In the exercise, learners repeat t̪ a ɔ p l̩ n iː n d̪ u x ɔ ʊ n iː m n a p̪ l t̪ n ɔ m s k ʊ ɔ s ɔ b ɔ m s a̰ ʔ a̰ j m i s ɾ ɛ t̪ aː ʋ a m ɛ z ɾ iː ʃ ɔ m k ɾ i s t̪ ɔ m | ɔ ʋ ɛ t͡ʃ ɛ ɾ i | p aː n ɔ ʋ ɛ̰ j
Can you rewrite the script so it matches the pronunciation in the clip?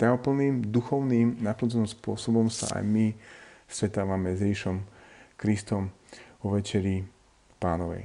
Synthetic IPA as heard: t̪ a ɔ p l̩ n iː m d̪ u x ɔ ʊ n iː m n a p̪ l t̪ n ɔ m s p ʊ ɔ s ɔ b ɔ m s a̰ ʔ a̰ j m i s ɾ ɛ t̪ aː ʋ a m ɛ z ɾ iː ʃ ɔ m k ɾ i s t̪ ɔ m | ɔ ʋ ɛ t͡ʃ ɛ ɾ i | p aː n ɔ ʋ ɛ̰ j